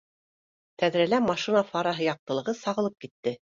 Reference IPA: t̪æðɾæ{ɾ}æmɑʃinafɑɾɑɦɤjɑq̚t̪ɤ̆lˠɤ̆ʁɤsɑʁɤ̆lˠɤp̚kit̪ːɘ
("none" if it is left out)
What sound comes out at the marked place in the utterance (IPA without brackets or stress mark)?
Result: l